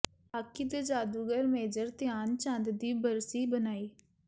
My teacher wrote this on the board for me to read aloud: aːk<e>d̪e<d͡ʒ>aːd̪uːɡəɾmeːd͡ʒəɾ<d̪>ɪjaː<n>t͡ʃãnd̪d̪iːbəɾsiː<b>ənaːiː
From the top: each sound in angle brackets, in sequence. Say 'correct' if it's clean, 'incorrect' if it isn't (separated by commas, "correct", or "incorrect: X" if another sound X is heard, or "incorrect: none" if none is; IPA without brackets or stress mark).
incorrect: i, correct, incorrect: t̪, correct, correct